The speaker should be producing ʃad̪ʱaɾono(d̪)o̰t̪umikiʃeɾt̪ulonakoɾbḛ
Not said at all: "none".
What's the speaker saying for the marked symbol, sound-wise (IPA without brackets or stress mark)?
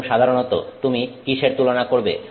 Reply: t̪